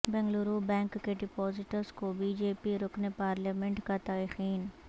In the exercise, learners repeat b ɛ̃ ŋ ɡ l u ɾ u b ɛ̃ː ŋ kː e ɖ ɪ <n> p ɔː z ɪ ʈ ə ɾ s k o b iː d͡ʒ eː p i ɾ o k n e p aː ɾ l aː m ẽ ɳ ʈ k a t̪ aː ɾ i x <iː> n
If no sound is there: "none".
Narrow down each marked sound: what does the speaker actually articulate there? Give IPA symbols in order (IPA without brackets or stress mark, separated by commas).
none, iː